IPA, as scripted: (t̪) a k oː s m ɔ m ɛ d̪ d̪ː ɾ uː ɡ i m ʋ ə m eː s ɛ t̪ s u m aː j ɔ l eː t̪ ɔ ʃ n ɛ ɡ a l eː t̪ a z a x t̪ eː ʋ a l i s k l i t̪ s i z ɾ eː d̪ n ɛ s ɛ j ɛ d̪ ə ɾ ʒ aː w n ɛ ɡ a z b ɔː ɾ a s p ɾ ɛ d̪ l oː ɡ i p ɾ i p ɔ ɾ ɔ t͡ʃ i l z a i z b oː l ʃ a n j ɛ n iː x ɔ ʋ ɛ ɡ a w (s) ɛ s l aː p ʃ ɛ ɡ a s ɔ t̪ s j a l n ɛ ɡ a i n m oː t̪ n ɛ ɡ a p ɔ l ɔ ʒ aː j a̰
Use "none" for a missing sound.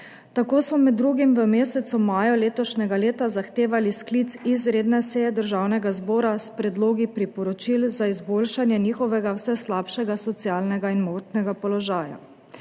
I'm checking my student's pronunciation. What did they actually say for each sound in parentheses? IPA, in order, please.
t̪, s

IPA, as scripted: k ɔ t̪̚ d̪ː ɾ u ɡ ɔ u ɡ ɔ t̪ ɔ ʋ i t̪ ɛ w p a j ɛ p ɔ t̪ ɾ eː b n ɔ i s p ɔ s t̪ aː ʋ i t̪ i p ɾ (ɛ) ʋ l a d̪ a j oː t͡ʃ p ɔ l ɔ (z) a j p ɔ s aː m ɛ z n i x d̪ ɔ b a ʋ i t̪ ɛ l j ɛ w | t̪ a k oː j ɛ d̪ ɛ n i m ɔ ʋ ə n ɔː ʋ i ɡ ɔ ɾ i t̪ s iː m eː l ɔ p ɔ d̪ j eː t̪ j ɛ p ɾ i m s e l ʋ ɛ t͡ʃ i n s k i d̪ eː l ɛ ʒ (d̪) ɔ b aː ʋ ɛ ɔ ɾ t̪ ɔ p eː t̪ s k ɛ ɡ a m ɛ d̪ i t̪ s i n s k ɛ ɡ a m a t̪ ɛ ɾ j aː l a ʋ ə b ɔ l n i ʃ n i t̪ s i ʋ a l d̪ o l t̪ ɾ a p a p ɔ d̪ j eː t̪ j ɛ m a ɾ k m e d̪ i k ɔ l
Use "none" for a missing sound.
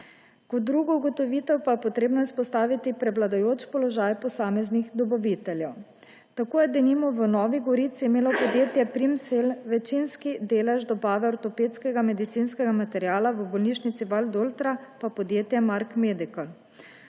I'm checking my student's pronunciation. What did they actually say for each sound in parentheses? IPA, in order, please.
ɛ, ʒ, d̪

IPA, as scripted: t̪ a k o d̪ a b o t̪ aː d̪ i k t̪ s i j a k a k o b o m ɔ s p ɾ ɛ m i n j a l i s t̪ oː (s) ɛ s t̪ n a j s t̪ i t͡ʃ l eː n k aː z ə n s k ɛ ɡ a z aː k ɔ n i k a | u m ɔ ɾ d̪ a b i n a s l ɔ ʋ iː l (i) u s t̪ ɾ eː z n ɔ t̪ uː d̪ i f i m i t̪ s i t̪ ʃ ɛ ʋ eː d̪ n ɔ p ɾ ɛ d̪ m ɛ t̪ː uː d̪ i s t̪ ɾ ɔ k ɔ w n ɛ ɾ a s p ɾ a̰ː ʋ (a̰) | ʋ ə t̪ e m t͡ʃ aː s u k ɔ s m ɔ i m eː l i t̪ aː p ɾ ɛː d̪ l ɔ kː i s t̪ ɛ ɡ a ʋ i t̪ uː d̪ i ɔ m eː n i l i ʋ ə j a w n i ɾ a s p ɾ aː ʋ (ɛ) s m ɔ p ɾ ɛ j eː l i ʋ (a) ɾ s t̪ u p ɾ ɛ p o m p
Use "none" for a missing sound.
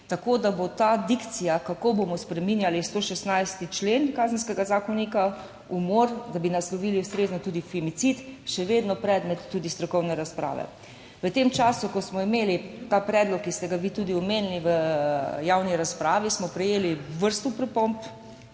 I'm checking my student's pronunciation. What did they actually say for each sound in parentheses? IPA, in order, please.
ʃ, i, ɛ̰, i, ə

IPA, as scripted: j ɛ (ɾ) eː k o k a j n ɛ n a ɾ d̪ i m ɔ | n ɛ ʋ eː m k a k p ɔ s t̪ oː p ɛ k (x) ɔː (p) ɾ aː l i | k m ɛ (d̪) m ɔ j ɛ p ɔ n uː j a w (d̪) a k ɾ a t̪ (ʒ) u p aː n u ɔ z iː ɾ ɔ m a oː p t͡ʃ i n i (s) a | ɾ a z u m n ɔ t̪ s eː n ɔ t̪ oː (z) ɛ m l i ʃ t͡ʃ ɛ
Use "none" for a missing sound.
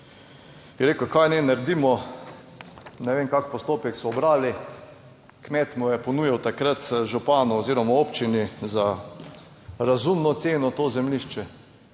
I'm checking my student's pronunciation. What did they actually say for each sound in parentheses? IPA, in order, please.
ɾ, s, b, t̪, t̪, ʒ, z, z

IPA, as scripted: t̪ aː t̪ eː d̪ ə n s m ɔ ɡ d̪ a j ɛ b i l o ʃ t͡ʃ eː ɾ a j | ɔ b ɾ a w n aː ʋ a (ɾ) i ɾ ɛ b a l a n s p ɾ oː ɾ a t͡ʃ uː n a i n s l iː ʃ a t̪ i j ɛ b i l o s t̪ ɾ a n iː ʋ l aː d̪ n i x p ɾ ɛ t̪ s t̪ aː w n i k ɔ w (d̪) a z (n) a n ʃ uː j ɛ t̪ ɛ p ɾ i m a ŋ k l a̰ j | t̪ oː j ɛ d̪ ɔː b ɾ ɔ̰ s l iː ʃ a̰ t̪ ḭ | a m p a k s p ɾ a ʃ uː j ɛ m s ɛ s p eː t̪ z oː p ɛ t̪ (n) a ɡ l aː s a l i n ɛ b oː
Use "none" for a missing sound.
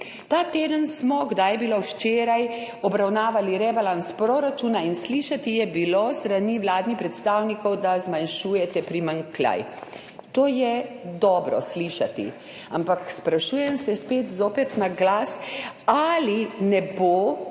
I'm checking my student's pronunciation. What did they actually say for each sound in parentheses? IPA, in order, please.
l, d̪, m, n

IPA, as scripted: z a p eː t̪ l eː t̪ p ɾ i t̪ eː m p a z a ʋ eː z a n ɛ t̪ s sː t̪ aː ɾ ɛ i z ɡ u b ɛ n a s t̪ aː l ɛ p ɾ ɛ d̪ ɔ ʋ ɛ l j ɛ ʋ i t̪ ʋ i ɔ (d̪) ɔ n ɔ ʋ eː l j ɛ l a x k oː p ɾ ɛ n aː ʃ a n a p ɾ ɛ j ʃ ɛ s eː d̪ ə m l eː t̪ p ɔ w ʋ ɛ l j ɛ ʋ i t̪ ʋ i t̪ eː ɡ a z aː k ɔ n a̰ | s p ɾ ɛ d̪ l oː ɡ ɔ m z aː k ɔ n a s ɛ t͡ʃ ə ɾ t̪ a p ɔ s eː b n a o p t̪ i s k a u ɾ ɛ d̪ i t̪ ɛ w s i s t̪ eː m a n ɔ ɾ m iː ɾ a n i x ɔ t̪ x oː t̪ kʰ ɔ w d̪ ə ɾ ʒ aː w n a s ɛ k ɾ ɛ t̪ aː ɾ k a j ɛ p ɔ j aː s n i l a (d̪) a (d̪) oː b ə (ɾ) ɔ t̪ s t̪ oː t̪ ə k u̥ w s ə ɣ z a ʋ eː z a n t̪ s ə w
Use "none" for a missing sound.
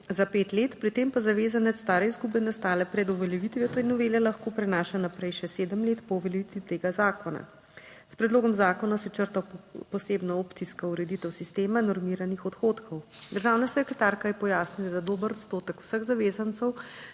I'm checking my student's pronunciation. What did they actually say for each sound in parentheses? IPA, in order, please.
t̪, d̪, d̪, ɾ

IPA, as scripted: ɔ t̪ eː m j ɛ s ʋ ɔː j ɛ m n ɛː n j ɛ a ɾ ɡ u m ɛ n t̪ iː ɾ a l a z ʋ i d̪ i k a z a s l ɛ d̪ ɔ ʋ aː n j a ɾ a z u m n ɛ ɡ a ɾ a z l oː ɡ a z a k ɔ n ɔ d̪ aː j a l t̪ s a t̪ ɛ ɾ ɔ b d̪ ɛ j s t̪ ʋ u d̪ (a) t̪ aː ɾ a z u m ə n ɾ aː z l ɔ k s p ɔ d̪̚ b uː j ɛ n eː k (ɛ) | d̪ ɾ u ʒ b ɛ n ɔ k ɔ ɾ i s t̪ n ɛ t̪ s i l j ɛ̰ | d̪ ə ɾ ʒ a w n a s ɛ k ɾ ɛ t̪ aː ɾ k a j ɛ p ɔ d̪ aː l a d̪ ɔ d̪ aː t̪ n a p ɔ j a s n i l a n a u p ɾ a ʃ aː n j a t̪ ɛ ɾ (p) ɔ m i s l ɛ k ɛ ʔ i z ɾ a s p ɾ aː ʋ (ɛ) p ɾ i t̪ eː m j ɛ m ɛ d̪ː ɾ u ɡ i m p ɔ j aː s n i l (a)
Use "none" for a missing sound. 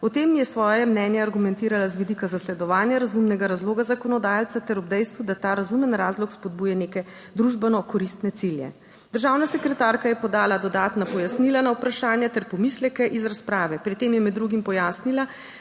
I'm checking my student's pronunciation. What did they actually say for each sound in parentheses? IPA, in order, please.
a, ɛ, p, ɛ, a

